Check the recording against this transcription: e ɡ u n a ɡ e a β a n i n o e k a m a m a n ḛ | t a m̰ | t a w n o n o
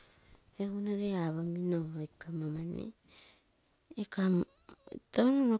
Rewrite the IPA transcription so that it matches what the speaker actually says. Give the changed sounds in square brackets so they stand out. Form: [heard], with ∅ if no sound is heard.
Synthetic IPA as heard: e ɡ u n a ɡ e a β a [m] i n o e k a m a m a n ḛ | [k] a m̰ | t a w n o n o

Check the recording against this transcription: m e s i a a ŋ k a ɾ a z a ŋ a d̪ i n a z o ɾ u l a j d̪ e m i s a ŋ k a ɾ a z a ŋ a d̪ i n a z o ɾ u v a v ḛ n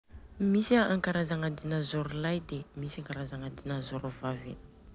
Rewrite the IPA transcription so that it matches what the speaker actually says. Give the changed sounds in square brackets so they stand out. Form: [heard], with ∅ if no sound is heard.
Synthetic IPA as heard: m [i] s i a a ŋ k a ɾ a z a ŋ a d̪ i n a z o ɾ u l a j d̪ e m i s a ŋ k a ɾ a z a ŋ a d̪ i n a z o ɾ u v a v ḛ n

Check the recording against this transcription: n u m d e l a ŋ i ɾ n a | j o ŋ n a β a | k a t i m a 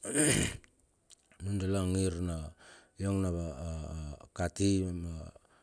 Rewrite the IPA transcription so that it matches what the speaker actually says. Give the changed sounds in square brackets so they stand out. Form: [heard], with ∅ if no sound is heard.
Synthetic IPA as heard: n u [n] d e l a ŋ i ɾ n a | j o ŋ n a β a | k a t i m a

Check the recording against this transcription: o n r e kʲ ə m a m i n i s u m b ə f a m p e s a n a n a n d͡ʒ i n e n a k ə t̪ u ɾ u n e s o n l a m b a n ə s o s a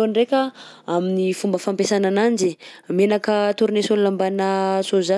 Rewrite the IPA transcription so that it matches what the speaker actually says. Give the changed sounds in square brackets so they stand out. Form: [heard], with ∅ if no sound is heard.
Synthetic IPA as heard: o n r e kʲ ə [∅] a m i n i [f] u m b ə f a m p e s a n a n a n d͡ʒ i [m] e n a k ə t̪ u ɾ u n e s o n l a m b a n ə s o [z] a

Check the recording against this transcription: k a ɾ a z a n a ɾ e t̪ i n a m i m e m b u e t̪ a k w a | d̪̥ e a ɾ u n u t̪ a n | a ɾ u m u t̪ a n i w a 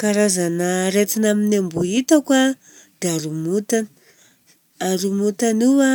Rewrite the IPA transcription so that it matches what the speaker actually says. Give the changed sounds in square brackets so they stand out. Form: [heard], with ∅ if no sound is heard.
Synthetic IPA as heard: k a ɾ a z a n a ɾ e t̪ i n a m i [n] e m b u [i] t̪ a k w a | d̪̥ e a ɾ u [m] u t̪ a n | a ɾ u m u t̪ a n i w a

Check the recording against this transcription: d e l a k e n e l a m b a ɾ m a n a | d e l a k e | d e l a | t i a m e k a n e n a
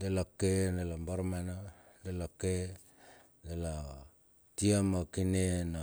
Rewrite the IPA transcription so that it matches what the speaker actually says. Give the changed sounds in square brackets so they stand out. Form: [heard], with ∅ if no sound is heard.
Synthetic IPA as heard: d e l a k e n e l a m b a ɾ m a n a | d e l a k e | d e l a | t i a m [a] k [i] n e n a

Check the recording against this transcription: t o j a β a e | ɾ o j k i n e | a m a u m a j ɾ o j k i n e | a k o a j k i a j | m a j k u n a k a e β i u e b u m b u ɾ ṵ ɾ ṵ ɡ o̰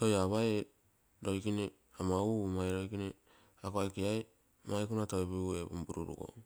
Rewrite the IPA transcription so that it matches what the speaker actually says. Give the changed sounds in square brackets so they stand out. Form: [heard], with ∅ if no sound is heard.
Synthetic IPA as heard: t o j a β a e | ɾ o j k i n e | a m a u m a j ɾ o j k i n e | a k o a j k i a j | m a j k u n a [t] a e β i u e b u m b u ɾ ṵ ɾ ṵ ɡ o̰

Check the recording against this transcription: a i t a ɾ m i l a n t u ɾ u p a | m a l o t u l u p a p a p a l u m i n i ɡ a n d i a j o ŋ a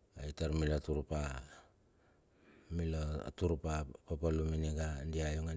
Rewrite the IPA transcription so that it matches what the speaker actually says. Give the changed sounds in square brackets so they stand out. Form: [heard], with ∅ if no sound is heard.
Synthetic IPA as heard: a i t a ɾ m i l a [∅] t u ɾ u p a | m [i] l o t u [ɾ] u p a p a p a l u m i n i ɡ a n d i a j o ŋ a

